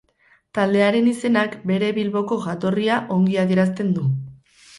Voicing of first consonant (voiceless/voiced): voiceless